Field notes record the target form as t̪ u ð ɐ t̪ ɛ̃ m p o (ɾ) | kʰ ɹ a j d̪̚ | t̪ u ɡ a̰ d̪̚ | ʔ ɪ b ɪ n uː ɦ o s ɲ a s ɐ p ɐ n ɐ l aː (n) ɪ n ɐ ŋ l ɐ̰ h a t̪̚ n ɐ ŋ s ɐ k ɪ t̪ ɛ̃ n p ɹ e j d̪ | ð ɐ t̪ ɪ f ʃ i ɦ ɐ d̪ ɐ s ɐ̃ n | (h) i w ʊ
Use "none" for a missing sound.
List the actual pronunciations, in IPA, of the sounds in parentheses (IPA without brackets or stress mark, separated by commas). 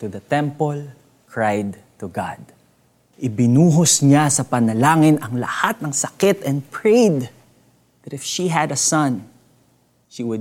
l, ŋ, ʃ